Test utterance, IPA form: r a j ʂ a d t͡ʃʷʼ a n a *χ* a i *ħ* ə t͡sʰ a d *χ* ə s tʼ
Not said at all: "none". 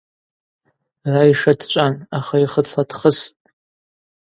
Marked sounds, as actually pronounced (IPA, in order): χ, χ, χ

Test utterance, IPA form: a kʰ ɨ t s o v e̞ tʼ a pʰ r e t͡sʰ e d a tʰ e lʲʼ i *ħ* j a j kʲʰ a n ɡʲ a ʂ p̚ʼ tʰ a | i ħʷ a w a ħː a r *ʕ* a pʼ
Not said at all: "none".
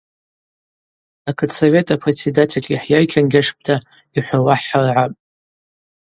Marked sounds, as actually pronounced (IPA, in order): ħ, ʕ

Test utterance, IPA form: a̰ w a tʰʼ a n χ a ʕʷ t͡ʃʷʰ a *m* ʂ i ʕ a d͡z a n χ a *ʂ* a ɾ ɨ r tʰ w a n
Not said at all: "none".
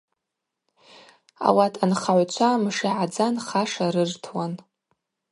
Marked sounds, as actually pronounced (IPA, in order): m, ʂ

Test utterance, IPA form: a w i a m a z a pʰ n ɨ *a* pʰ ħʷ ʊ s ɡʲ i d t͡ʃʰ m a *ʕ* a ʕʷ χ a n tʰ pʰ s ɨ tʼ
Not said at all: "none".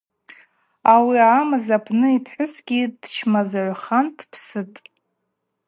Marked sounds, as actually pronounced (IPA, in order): i, z

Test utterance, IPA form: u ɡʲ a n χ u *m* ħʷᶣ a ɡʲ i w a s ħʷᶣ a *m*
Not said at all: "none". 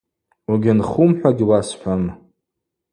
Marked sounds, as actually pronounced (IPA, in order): m, m

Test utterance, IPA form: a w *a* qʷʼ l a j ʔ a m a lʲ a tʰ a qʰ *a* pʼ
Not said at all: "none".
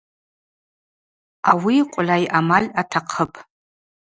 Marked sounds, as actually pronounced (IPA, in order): i, ə

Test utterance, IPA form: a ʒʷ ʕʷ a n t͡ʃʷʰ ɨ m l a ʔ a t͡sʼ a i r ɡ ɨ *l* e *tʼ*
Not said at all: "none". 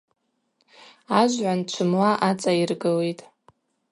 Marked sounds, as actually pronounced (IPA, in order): l, tʼ

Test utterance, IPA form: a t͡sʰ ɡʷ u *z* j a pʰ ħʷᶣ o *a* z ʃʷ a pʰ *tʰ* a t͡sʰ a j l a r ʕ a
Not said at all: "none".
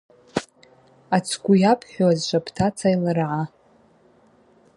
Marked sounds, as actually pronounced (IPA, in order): none, a, tʰ

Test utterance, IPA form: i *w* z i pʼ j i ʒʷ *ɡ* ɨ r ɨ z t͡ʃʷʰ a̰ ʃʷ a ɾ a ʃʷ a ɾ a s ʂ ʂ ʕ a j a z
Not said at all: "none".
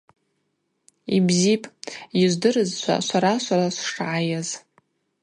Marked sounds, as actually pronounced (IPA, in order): b, d

